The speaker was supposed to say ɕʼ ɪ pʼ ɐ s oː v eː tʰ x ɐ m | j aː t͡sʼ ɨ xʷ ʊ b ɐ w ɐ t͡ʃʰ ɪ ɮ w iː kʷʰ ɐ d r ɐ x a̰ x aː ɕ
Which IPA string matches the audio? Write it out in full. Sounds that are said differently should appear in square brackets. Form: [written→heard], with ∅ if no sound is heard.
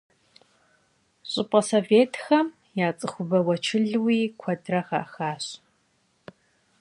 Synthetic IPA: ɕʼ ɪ pʼ ɐ s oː v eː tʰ x ɐ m | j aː t͡sʼ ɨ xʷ ʊ b ɐ w ɐ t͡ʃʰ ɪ ɮ w iː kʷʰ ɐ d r ɐ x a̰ x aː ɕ